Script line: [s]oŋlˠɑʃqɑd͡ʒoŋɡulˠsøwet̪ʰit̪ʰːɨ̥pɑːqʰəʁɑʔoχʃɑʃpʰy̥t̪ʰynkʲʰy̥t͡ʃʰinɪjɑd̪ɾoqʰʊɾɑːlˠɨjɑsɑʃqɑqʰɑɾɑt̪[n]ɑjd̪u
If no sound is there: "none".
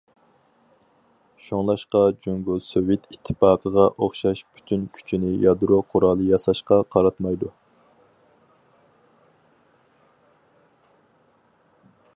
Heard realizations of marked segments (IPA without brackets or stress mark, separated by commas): ʃ, m